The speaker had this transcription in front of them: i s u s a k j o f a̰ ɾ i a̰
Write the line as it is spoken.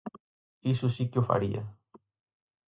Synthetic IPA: i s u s i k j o f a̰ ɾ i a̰